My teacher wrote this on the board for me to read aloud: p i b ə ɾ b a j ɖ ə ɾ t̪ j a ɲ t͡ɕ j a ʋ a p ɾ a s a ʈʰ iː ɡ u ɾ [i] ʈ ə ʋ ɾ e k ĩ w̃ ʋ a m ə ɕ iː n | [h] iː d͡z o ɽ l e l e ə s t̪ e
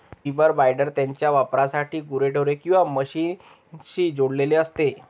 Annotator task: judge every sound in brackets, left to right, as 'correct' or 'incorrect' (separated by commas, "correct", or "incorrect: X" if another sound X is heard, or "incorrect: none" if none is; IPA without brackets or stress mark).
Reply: incorrect: e, incorrect: ɕ